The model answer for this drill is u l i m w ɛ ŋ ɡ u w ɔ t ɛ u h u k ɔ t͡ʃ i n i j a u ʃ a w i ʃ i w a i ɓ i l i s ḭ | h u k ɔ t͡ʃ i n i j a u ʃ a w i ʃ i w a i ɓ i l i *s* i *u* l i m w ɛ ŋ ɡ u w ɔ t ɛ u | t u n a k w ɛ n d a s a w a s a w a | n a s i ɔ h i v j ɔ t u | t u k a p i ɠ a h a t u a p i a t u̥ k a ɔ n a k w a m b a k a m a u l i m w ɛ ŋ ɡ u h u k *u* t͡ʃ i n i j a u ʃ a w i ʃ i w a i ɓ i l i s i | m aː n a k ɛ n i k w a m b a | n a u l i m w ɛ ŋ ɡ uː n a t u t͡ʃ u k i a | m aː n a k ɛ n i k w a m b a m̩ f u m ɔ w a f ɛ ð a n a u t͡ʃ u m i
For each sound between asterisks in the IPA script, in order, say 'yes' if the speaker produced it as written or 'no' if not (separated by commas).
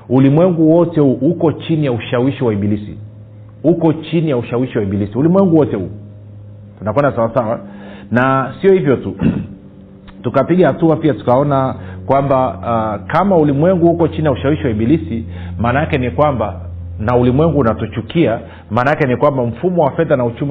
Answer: yes, yes, no